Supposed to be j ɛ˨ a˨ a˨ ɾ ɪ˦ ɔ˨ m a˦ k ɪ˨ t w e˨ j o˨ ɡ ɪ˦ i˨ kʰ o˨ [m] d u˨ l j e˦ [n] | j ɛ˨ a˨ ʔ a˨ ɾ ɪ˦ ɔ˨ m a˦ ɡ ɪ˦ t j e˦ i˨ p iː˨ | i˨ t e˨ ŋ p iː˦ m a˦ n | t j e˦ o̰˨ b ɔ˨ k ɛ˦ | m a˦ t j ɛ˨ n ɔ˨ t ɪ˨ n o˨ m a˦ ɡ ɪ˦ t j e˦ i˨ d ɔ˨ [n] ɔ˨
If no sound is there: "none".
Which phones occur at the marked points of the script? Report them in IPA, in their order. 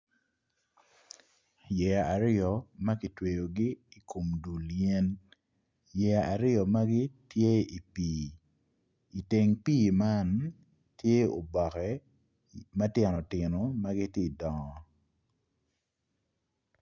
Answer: m, n, ŋ

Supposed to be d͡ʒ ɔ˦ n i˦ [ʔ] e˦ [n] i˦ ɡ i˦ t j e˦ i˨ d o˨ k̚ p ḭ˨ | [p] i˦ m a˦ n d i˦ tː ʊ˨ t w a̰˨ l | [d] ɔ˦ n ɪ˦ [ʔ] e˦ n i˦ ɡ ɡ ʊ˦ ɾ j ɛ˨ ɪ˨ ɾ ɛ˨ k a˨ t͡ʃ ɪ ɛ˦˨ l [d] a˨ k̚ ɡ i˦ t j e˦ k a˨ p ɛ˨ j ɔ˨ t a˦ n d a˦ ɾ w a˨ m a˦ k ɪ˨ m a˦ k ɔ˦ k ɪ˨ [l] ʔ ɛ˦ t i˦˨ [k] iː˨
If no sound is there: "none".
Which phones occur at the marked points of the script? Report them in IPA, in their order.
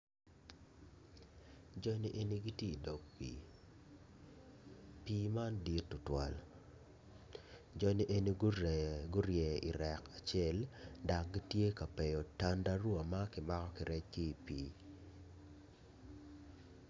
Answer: ʔ, n, p, d͡ʒ, ʔ, d, ɾ, p

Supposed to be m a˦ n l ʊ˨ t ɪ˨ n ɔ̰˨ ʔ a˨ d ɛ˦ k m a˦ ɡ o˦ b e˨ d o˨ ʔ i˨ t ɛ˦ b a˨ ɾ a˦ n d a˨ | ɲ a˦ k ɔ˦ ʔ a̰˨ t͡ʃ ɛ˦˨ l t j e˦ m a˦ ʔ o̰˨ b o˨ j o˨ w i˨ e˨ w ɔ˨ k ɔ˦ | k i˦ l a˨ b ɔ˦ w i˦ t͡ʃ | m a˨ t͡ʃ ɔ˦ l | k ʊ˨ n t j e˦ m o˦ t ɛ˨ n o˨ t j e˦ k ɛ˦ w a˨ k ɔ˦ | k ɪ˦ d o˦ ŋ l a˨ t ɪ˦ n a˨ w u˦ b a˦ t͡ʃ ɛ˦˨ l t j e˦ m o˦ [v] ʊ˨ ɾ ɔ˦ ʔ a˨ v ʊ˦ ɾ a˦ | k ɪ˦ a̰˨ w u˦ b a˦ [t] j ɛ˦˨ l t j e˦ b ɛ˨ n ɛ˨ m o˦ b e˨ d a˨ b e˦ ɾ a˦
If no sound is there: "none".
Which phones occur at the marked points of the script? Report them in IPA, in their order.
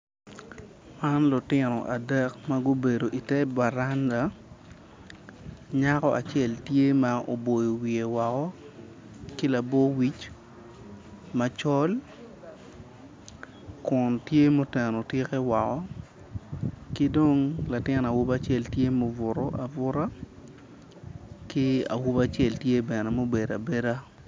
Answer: v, t͡ʃ

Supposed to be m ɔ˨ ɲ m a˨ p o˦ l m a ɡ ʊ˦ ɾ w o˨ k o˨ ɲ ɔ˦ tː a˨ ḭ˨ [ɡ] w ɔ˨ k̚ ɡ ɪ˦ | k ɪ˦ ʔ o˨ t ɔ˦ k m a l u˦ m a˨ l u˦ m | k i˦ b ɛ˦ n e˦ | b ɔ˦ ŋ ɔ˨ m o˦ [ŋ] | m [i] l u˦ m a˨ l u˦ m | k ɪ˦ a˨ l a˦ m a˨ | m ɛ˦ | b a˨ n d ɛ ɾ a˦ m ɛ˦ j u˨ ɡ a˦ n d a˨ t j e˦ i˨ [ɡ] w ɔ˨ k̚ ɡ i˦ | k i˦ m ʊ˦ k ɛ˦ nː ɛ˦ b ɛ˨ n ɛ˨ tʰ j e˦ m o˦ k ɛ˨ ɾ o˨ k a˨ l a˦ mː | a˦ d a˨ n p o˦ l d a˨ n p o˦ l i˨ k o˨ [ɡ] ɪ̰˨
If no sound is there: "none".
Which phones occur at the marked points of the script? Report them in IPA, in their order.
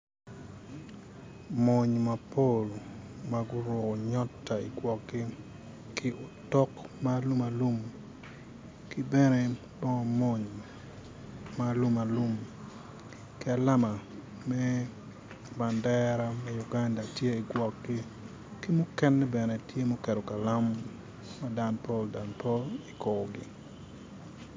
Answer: ɡ, ɲ, a, ɡ, ɡ

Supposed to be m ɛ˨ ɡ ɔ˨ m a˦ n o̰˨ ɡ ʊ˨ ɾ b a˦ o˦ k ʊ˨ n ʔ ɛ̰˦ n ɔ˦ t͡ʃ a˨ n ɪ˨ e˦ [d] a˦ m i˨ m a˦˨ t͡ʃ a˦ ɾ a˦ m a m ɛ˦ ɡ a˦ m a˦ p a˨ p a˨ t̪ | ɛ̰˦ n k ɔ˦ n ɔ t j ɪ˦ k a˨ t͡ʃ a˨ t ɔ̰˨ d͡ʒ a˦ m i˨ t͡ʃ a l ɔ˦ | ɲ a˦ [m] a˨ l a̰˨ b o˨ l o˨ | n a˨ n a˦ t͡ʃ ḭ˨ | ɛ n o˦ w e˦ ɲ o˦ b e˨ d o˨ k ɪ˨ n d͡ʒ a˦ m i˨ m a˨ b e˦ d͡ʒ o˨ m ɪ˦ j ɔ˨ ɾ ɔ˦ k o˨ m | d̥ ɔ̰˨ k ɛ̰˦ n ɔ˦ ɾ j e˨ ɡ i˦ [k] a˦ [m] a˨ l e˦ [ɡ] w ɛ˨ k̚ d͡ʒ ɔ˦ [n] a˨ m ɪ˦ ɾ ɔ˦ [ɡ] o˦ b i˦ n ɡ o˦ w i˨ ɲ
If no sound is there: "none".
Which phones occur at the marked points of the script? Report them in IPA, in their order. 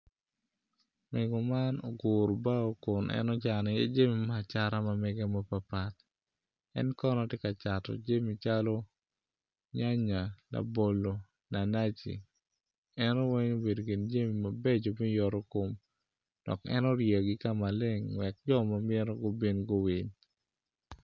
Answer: d͡ʒ, ɲ, k, m, ŋ, m, ɡ

